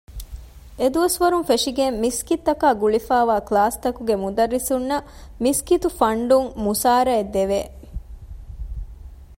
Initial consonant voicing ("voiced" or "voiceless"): voiced